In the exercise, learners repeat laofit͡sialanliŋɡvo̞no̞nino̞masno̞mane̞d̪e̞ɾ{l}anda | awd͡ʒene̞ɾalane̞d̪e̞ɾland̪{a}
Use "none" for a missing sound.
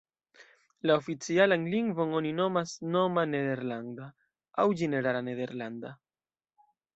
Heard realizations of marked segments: l, a

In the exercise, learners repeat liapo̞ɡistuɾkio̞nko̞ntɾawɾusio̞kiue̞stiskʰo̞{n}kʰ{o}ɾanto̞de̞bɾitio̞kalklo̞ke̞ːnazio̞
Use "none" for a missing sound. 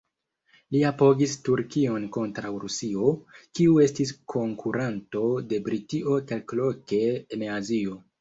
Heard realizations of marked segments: ŋ, u

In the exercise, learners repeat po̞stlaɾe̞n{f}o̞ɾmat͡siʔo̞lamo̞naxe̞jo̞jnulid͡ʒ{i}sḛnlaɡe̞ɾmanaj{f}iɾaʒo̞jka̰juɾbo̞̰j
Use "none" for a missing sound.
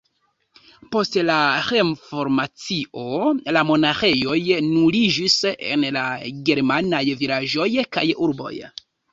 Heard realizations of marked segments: f, i, v

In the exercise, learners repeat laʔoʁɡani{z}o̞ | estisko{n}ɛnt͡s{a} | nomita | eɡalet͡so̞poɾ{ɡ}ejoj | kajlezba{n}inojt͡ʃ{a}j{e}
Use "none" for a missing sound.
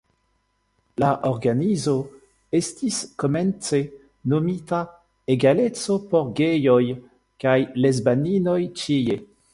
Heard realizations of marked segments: z, m, e, ɡ, n, i, e

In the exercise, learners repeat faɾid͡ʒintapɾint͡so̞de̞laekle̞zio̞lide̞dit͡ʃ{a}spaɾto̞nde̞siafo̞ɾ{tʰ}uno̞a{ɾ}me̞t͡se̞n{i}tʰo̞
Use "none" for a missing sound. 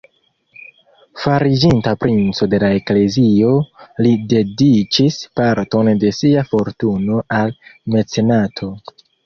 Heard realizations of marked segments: i, t, l, a

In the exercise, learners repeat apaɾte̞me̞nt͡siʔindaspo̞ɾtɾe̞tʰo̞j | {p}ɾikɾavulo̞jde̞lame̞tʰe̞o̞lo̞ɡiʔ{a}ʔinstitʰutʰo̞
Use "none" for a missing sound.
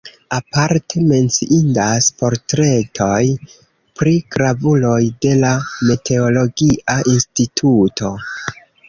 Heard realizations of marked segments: p, a

